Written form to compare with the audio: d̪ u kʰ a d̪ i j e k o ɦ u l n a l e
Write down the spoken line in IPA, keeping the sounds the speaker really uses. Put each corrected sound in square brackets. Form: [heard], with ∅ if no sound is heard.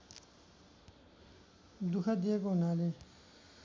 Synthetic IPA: d̪ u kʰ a d̪ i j e k o ɦ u [∅] n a l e